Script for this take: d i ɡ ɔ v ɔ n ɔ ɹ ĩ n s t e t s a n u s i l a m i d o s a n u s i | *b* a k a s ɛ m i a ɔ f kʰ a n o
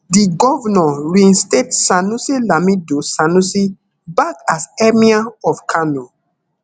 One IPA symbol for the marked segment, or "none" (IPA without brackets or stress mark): b